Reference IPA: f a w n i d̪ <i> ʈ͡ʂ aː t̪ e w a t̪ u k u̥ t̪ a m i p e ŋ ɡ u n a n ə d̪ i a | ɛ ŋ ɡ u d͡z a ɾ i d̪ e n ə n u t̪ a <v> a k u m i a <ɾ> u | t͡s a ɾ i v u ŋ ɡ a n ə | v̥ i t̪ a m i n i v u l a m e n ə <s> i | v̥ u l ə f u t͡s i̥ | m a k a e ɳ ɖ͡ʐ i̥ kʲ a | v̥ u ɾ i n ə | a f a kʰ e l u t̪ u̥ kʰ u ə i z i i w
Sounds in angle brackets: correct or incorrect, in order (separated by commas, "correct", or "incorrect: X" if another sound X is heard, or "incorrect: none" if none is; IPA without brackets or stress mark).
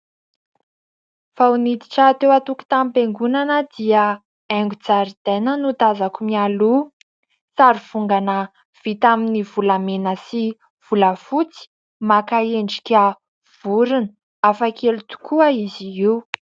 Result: correct, incorrect: z, incorrect: l, correct